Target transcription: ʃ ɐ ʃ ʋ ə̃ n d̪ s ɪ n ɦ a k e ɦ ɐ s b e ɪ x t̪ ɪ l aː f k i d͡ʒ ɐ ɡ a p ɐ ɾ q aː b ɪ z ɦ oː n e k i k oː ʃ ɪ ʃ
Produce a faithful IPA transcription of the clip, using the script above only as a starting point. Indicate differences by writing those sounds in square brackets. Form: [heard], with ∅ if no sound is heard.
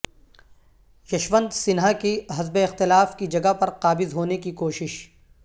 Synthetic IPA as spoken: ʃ ɐ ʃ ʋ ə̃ n d̪ s ɪ n ɦ a k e ɦ ɐ [z] b e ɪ x t̪ ɪ l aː f k i d͡ʒ ɐ ɡ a p ɐ ɾ q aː b ɪ z ɦ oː n e k i k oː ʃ ɪ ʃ